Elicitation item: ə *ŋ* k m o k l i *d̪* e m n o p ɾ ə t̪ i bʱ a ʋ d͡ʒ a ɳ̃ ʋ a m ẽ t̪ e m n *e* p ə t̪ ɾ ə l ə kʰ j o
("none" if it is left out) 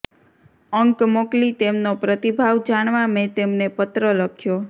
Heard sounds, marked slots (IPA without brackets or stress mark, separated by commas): ŋ, t̪, e